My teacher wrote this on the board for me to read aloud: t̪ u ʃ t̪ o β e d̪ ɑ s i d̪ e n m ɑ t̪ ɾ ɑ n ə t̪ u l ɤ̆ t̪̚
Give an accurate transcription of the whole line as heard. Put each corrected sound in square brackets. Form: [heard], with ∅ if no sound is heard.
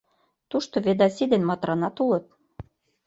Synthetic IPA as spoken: t̪ u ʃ t̪ o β e d̪ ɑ s i d̪ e n m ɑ t̪ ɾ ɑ n [ɑ] t̪ u l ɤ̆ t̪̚